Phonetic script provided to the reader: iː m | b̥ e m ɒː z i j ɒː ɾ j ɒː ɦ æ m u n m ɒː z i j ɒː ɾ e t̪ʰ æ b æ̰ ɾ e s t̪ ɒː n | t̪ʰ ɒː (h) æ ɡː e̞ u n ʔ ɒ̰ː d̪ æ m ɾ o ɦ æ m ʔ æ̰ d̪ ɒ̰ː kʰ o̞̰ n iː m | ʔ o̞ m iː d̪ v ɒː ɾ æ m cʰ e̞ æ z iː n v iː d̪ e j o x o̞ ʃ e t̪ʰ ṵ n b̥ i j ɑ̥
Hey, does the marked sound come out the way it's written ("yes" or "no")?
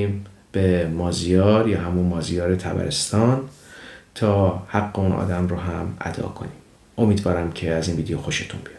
yes